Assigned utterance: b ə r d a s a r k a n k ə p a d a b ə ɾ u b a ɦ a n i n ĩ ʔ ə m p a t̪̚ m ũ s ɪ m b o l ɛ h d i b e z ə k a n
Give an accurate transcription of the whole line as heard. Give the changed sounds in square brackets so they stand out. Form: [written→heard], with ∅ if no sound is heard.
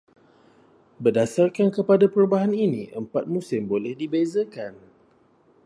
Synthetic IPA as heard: b ə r d a s a r k a n k ə p a d a [b→p] ə ɾ u b a ɦ a n i n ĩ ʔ ə m p a t̪̚ m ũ s ɪ m b o l ɛ h d i b e z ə k a n